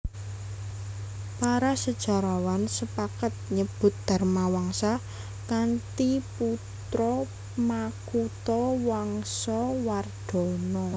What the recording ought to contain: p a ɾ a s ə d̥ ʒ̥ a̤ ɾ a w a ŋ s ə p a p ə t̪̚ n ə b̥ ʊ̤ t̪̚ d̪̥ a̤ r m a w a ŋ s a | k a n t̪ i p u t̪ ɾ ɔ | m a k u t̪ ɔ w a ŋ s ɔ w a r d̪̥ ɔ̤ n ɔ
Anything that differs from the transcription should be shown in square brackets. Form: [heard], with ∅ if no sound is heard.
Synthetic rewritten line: p a ɾ a s ə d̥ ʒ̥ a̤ ɾ a w a [n] s ə p a [k] ə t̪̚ [ɲ] ə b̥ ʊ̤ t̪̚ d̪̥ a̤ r m a w a ŋ s a | k a n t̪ i p u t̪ ɾ ɔ | m a k u t̪ ɔ w a ŋ s ɔ w a r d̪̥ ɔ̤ n ɔ